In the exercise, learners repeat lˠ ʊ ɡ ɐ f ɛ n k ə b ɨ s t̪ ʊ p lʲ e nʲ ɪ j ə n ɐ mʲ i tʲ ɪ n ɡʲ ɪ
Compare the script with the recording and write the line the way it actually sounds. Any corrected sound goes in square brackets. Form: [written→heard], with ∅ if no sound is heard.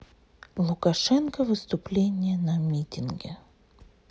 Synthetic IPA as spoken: lˠ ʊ [ɡ→k] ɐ [f→ʂ] ɛ n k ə [b→v] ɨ s t̪ ʊ p lʲ e nʲ ɪ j ə n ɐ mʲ i tʲ ɪ n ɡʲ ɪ